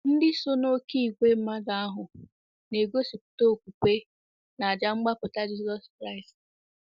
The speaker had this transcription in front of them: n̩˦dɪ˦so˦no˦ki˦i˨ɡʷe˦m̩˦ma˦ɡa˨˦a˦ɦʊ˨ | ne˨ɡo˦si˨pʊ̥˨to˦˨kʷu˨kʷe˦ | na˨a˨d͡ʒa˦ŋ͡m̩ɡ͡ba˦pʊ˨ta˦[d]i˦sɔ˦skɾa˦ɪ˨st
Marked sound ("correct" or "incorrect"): incorrect